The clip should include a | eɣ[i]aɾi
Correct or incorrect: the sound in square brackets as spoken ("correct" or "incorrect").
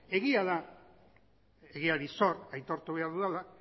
correct